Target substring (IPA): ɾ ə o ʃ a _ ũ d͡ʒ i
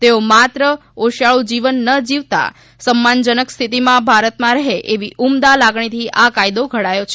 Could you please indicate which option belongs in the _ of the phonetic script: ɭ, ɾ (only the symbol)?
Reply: ɭ